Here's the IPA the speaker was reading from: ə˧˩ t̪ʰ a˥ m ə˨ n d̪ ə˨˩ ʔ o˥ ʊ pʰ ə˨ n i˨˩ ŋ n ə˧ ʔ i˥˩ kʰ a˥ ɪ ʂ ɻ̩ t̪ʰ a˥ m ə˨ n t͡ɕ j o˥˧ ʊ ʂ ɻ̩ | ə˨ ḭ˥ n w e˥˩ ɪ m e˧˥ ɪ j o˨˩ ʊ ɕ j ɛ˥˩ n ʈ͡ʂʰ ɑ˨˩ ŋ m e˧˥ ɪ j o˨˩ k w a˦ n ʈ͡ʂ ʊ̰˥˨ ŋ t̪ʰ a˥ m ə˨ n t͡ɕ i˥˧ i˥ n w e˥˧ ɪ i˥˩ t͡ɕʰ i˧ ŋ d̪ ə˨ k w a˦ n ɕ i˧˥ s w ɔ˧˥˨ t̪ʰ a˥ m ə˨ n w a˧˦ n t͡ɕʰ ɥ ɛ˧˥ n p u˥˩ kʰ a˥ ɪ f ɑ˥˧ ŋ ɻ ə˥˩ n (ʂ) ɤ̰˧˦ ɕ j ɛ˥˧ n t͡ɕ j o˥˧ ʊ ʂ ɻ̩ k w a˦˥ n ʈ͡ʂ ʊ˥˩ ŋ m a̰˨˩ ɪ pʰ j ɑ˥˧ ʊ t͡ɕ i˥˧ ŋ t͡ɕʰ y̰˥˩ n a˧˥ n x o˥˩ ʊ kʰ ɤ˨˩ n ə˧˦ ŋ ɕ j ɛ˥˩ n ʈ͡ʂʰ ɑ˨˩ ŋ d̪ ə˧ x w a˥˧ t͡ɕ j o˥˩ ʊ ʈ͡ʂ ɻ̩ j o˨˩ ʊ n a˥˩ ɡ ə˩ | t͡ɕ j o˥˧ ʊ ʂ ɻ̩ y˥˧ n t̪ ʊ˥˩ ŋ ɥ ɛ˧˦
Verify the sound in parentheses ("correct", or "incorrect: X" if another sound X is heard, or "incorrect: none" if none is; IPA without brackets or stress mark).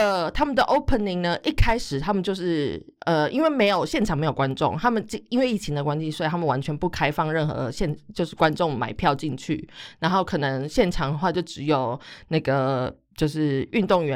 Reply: incorrect: x